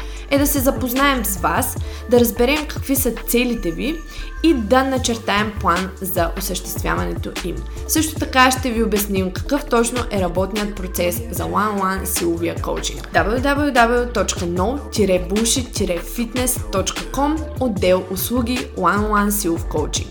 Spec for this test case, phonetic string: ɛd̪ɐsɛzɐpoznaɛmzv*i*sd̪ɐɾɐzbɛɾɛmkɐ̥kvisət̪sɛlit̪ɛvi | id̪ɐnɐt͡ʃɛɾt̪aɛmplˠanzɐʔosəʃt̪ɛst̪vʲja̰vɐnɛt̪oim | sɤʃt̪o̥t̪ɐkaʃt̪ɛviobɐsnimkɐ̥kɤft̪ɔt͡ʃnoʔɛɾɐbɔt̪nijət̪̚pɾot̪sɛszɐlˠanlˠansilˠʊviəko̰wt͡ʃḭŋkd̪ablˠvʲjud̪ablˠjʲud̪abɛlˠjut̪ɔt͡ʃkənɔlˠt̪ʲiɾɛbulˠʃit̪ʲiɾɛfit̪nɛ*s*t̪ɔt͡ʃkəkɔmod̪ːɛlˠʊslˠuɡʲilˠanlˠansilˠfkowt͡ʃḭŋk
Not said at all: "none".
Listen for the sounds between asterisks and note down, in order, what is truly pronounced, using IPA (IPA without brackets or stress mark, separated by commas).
a, s